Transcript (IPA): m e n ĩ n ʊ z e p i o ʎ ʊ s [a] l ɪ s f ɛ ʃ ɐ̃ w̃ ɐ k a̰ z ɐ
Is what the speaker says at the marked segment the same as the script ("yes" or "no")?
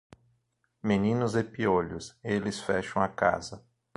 no